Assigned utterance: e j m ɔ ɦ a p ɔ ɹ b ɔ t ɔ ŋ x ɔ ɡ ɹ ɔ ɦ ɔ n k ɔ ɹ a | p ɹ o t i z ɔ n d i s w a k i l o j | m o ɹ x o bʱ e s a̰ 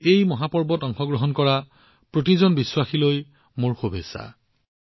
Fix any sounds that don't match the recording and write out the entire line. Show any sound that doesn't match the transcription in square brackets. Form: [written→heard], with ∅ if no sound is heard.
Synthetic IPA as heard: e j m ɔ ɦ a p ɔ ɹ b ɔ t ɔ ŋ x ɔ ɡ ɹ ɔ ɦ ɔ n k ɔ ɹ a | p ɹ o t i z ɔ n [d→b] i s w a [k→x] i l o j | m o ɹ x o bʱ e s a̰